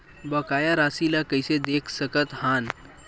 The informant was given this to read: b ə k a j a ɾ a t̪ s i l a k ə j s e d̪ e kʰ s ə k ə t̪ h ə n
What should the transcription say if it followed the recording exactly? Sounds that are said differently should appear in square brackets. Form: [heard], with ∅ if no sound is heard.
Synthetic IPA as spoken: b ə k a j a ɾ a [∅] s i l a k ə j s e d̪ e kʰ s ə k ə t̪ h [a] n